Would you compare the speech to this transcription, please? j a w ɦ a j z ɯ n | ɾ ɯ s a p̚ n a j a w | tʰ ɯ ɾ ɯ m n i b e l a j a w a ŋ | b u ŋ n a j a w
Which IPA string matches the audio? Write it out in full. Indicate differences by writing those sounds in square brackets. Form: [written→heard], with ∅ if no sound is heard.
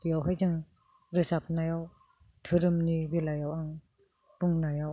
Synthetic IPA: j a w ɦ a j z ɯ [n→ŋ] | ɾ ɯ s a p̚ n a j a w | tʰ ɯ ɾ ɯ m n i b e l a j a w a ŋ | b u ŋ n a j a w